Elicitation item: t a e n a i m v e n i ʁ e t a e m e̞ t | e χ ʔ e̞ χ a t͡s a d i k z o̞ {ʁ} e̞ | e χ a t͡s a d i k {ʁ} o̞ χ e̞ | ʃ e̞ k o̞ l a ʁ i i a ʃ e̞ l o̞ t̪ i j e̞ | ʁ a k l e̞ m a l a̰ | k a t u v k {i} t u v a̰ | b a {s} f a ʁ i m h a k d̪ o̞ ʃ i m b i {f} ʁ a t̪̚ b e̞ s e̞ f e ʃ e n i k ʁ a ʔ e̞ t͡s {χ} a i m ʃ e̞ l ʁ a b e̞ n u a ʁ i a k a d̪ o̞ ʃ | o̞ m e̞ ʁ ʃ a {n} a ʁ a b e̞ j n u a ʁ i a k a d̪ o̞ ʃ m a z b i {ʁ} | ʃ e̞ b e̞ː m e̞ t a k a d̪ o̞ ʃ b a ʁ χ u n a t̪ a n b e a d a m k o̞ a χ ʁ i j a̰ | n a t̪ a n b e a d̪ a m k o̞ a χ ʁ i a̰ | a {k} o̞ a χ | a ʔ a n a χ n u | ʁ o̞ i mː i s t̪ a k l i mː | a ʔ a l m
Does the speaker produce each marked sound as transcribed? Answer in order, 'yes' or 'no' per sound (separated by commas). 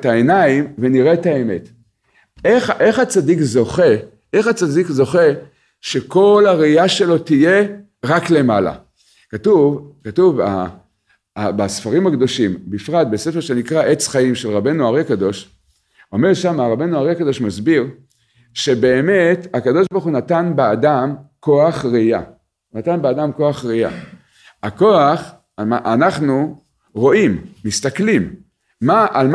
no, no, no, yes, yes, yes, no, yes, yes